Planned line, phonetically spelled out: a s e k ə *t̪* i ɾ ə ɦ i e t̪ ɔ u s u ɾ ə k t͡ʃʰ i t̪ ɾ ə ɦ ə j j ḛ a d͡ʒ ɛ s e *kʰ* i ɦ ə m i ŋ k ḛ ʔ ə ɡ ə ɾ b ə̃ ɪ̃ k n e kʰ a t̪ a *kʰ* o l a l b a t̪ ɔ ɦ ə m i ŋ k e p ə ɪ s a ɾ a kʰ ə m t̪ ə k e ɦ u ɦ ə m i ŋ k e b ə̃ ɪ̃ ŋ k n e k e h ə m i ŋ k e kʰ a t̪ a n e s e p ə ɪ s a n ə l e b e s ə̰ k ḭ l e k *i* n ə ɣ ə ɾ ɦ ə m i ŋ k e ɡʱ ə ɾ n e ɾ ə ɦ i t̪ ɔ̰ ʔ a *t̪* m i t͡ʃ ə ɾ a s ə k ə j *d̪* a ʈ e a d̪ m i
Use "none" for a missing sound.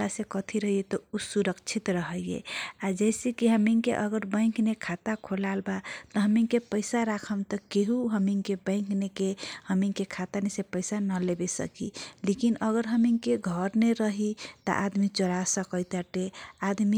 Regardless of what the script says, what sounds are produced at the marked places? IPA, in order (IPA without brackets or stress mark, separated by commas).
t̪ʰ, k, kʰ, i, d̪, t̪